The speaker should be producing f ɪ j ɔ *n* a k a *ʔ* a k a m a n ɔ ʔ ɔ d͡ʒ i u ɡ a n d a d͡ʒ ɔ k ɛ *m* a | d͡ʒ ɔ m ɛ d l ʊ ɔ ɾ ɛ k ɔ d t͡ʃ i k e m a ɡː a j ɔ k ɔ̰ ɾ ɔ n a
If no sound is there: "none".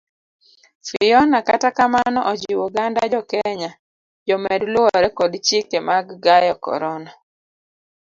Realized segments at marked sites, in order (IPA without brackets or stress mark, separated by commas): n, t, ɲ